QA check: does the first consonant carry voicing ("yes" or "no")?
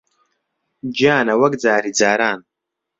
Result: yes